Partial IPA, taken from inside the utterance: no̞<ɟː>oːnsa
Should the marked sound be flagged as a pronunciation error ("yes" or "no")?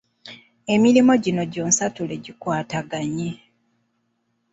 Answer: yes